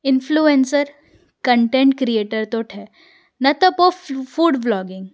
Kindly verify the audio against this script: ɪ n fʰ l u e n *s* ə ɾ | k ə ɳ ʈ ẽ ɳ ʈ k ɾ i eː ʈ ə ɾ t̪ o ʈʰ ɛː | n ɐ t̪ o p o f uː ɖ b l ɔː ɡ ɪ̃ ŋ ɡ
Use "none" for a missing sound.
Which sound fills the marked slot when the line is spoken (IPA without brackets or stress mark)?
s